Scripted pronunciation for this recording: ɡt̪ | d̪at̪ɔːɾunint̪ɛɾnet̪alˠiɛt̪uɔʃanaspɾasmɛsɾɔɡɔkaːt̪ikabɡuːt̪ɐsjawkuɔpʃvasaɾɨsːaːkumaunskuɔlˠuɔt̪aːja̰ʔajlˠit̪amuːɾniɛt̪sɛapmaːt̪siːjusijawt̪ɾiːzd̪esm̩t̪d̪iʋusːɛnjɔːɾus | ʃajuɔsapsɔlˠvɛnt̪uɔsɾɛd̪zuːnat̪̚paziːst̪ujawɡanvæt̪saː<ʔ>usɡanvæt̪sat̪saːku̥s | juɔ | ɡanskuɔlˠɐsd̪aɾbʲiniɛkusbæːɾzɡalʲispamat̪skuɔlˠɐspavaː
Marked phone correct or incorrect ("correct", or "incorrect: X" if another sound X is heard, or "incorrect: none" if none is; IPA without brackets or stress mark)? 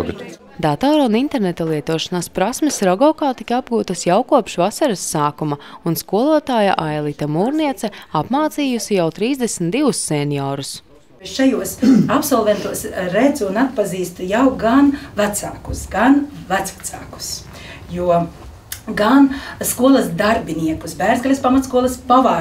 incorrect: k